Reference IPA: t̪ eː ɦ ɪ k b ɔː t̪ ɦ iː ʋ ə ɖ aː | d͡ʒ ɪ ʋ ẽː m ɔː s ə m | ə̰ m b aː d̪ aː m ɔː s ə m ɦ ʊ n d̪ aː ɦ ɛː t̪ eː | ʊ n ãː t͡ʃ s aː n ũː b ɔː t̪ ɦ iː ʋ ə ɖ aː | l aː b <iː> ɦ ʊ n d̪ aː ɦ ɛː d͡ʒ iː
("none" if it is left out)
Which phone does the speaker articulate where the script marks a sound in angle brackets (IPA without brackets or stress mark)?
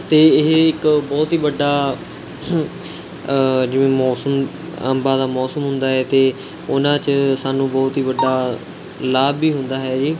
iː